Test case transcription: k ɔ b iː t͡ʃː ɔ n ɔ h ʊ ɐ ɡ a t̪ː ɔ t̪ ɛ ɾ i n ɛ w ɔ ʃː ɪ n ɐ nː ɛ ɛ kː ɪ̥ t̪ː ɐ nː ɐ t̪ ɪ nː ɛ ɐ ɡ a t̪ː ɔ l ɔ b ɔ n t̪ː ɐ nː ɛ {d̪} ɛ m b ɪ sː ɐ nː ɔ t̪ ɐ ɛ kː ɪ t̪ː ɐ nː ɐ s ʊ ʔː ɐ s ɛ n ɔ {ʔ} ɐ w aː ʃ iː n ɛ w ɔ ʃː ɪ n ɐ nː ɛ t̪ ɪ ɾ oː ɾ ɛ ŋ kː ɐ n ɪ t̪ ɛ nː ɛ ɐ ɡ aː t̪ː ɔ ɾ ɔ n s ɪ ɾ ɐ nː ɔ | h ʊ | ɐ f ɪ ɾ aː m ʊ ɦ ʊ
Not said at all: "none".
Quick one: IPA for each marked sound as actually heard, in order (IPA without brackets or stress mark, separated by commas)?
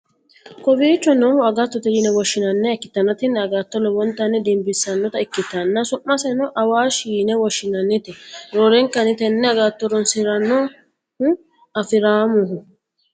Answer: d̪, ʔ